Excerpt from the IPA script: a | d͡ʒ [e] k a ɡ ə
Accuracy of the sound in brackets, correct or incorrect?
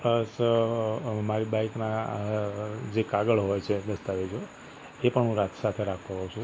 correct